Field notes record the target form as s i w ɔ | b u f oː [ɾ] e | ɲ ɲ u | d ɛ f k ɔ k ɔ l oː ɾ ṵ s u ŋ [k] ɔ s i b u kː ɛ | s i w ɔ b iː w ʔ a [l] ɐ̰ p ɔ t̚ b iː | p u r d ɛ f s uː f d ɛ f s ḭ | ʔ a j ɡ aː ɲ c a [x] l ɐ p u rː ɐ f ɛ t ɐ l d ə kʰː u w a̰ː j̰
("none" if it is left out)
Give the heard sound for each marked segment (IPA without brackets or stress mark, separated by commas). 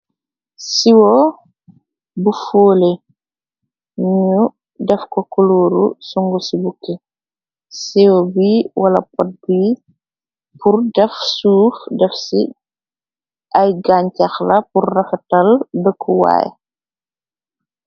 l, ɡ, l, x